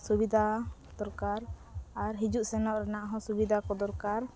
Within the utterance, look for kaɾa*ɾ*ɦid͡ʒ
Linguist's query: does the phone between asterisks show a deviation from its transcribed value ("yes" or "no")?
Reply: no